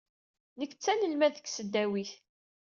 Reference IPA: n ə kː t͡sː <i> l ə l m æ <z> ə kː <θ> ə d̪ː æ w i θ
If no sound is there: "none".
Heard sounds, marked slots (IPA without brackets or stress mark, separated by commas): æ, ð, s